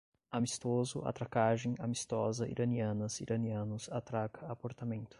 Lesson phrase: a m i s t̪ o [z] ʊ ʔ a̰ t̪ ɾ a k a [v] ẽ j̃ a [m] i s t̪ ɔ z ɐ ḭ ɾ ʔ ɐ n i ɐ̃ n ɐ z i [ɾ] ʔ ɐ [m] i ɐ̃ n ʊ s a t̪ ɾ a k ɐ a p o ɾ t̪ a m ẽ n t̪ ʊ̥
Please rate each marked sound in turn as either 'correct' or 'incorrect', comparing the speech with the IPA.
correct, incorrect, correct, correct, incorrect

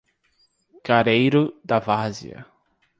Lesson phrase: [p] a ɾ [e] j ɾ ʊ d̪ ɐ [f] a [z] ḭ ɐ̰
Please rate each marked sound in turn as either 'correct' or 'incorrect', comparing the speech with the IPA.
incorrect, correct, incorrect, correct

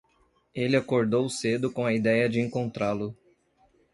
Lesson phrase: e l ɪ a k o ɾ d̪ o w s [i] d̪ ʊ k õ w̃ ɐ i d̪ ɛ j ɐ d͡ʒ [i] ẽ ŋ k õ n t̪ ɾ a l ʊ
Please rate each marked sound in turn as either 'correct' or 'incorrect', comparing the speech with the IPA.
incorrect, incorrect

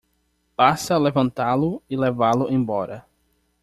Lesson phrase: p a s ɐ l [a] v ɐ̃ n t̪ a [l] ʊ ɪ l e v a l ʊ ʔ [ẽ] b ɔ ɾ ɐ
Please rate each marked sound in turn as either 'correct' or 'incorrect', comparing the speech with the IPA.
incorrect, correct, correct

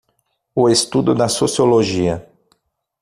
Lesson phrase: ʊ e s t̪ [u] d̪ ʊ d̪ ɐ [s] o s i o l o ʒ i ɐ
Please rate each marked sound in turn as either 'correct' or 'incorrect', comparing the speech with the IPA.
correct, correct

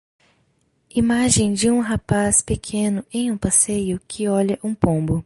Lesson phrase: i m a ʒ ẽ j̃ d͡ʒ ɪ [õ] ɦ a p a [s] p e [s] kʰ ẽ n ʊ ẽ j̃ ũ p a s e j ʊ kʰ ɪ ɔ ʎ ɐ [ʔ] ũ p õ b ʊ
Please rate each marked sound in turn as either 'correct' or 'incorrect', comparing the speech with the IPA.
incorrect, correct, incorrect, correct

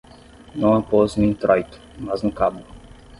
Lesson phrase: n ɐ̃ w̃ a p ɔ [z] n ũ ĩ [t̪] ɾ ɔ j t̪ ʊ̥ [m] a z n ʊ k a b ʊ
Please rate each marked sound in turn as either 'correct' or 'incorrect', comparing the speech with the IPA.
correct, correct, correct

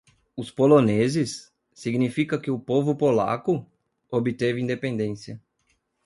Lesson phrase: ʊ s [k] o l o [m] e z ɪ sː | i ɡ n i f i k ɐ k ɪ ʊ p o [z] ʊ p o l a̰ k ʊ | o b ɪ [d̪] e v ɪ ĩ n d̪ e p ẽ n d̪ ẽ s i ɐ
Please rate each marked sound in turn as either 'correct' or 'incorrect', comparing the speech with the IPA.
incorrect, incorrect, incorrect, incorrect

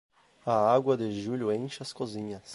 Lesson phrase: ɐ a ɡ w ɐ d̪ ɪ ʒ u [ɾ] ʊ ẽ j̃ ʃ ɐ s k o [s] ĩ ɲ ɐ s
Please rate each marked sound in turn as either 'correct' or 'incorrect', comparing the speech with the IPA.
incorrect, incorrect

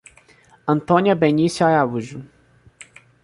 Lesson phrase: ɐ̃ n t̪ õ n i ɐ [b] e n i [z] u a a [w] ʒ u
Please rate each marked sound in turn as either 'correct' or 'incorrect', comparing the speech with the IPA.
correct, incorrect, incorrect

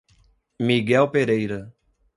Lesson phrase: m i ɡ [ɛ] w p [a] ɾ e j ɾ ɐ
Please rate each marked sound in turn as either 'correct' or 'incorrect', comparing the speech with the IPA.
correct, incorrect

